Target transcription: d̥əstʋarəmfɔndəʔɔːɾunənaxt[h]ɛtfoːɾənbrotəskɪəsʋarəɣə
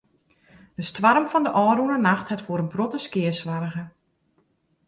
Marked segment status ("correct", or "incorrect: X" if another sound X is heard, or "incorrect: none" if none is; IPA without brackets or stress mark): correct